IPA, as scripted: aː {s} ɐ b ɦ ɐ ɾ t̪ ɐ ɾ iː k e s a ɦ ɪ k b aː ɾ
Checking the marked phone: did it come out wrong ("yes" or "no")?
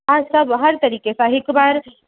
no